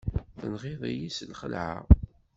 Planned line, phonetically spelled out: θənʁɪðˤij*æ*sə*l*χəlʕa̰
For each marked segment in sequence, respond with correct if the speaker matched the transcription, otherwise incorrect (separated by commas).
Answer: incorrect, correct